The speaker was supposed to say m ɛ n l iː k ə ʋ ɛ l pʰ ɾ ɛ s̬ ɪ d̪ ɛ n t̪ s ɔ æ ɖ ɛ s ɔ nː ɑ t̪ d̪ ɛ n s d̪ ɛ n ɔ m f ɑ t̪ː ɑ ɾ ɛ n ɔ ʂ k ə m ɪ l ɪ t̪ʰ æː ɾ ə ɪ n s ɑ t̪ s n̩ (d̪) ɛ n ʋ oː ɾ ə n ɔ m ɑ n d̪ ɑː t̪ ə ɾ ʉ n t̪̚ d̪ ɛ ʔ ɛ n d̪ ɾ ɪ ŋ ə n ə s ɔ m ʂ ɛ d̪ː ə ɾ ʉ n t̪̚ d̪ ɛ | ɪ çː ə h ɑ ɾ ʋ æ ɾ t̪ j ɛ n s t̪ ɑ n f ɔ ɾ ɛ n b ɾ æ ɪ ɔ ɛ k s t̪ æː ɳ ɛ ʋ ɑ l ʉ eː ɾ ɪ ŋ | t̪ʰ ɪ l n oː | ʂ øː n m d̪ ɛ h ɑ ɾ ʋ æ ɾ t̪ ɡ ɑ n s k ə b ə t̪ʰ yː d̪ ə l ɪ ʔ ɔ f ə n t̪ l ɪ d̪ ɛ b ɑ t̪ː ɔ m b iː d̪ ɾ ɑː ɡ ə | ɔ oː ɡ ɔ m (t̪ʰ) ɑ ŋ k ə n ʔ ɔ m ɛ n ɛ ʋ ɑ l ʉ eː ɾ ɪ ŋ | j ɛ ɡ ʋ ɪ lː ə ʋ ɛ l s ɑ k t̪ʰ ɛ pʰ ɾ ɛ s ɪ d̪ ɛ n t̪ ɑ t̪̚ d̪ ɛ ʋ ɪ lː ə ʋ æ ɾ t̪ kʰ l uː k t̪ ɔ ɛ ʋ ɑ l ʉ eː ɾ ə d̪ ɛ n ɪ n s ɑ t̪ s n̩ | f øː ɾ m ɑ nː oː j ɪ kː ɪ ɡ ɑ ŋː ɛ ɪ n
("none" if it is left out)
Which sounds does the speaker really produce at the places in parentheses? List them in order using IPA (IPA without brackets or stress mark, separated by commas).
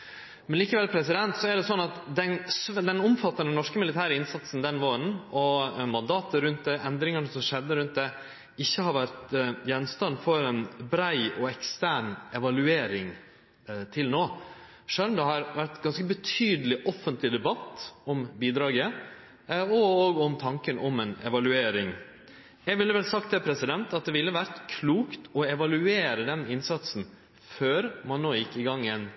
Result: d̪, t̪ʰ